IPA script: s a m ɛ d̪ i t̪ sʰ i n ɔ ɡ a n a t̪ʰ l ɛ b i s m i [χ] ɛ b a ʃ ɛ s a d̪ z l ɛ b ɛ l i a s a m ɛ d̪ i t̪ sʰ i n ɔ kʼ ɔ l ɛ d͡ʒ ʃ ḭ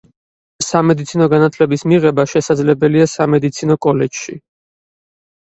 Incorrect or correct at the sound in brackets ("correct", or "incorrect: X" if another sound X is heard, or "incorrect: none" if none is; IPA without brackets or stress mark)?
incorrect: ʁ